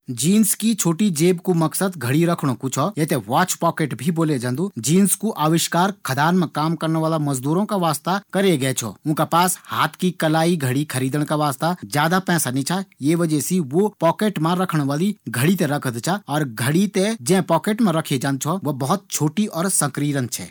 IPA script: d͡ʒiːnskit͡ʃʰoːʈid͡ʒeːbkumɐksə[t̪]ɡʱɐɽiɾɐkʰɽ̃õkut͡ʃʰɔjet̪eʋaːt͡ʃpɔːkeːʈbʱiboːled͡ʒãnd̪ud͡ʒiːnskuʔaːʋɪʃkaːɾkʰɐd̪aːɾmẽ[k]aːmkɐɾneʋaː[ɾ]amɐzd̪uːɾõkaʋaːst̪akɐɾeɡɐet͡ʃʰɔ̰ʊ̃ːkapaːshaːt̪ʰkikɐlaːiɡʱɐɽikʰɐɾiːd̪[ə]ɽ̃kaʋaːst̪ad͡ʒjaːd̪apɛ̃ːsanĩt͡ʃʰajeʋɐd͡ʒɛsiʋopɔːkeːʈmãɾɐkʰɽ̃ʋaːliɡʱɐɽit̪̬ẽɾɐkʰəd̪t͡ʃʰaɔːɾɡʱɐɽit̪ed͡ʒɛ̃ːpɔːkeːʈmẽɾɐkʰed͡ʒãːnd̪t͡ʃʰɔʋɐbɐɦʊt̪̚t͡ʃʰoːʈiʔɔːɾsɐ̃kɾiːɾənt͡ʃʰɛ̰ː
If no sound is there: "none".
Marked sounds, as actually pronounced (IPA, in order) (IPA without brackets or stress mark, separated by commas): d̪, k, l, ə